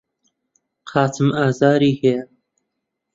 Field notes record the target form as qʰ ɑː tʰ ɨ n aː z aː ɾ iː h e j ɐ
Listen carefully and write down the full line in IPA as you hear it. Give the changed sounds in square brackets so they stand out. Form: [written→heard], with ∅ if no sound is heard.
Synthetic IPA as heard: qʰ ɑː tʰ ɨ [n→m] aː z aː ɾ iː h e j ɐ